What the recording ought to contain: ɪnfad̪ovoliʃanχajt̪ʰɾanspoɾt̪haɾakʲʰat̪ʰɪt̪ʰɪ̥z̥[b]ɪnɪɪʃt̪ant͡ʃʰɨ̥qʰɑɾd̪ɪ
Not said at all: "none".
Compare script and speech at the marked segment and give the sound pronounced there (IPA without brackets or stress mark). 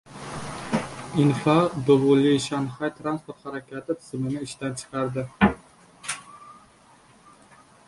m